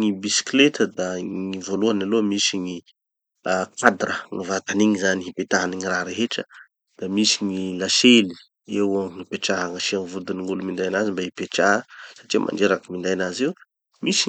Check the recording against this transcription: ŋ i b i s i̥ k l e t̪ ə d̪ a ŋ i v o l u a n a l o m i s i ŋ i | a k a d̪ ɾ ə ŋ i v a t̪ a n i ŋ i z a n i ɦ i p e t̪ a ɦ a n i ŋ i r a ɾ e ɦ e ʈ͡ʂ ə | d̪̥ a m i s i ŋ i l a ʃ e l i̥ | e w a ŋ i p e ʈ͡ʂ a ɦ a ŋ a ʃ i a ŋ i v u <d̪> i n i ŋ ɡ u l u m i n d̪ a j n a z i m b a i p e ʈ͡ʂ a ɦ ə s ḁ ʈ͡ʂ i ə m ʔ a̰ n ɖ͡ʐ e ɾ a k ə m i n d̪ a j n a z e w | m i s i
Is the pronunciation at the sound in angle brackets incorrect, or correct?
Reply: correct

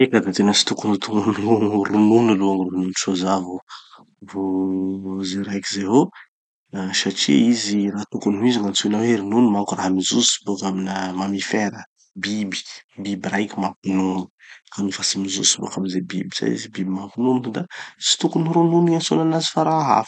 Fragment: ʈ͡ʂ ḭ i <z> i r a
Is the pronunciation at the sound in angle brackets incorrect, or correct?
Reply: correct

